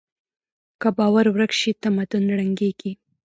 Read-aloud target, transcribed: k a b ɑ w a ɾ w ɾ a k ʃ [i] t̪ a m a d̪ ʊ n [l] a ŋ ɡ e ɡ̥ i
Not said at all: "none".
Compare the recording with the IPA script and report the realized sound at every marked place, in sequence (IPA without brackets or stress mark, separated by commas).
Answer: i, ɽ